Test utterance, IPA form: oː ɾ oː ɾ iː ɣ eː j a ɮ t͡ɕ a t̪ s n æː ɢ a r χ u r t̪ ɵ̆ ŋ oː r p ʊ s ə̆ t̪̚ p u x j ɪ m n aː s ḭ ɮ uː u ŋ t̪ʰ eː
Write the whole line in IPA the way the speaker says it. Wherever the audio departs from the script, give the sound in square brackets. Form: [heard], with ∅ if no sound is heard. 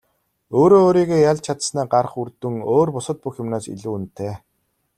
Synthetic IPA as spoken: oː ɾ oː ɾ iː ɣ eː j a ɮ [t͡ɕʰ] a t̪ s n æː ɢ a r χ u r t̪ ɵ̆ ŋ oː r p ʊ s ə̆ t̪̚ p u x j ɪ m n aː s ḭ ɮ uː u [n] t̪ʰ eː